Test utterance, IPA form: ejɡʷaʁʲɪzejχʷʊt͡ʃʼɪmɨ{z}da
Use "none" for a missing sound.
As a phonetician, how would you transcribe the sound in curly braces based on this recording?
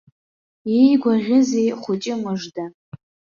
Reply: ʐ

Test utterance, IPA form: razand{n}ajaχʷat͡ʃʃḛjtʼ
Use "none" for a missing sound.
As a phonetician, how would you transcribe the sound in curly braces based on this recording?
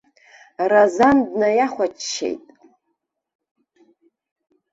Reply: n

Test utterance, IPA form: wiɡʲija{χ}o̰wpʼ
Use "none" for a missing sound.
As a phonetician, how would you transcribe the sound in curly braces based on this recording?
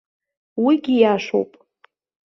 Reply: ʂ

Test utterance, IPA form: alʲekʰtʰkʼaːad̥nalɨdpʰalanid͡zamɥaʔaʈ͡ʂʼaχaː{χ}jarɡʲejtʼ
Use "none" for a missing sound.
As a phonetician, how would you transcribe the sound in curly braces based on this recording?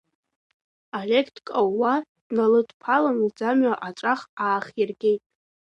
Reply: χ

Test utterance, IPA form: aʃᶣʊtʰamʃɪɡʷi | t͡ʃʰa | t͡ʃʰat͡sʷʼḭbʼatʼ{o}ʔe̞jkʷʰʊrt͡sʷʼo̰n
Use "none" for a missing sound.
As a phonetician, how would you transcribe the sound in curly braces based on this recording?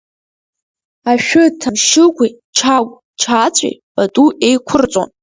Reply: u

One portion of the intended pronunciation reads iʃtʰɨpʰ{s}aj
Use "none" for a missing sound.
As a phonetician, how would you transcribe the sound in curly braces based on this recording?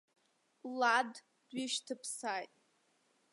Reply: s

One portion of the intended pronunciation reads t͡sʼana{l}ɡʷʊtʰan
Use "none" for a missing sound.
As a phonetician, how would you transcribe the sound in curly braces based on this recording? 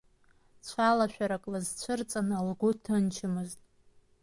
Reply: l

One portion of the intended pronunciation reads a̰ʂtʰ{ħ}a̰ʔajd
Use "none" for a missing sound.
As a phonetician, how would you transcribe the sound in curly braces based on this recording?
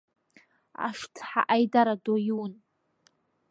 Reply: ħ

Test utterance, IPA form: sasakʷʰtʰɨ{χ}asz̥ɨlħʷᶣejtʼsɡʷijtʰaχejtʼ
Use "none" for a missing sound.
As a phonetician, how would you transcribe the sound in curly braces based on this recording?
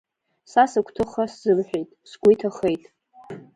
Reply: χ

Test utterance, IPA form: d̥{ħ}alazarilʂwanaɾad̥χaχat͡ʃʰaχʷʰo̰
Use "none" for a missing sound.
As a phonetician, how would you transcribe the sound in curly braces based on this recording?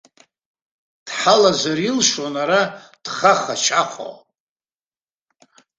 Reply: ħ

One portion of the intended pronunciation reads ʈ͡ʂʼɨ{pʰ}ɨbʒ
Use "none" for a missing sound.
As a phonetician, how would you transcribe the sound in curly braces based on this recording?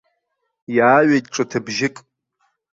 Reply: tʰ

